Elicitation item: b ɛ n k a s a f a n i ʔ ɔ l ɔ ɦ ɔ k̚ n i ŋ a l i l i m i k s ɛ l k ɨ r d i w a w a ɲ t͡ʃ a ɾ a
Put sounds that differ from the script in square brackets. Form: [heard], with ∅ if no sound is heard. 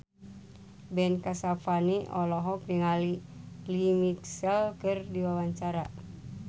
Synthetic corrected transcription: b ɛ n k a s a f a n i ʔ ɔ l ɔ ɦ ɔ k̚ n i ŋ a l i l i m i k s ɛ l k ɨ r d i w a w a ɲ t͡ʃ a ɾ a